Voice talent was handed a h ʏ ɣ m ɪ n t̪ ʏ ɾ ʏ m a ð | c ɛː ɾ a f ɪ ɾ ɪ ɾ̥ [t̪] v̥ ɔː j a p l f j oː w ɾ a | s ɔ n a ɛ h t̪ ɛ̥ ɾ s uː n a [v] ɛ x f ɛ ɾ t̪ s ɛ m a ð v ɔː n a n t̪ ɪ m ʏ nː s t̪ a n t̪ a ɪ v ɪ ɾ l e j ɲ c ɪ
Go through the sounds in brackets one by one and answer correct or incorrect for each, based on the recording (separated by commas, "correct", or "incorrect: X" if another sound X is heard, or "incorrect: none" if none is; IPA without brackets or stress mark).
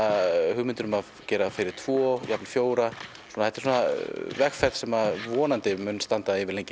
incorrect: t̪ʰ, correct